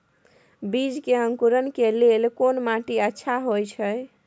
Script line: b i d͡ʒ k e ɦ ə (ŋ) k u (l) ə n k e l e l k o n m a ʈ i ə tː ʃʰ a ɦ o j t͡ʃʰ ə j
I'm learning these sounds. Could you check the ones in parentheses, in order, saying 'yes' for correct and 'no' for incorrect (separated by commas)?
yes, no